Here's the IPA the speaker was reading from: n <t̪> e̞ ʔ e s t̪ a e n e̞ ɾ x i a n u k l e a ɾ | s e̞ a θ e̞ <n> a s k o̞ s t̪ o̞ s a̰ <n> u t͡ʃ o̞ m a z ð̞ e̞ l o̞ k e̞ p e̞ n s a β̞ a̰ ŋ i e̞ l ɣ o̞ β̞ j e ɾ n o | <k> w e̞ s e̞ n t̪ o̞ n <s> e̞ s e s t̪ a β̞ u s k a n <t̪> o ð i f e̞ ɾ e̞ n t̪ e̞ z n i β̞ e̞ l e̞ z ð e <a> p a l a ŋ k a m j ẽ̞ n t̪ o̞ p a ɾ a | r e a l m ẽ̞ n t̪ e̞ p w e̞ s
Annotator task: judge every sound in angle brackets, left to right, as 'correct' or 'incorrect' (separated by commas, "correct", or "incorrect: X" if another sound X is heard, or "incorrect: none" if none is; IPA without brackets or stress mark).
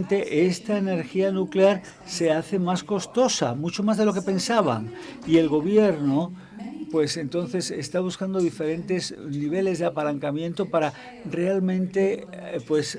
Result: correct, incorrect: m, incorrect: m, incorrect: p, incorrect: θ, incorrect: d̪, correct